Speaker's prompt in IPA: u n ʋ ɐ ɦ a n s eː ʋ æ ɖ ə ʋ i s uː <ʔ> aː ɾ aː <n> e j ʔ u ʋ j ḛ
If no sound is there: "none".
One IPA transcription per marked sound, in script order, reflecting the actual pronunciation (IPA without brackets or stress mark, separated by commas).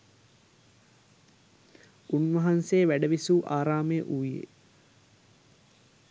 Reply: ʔ, m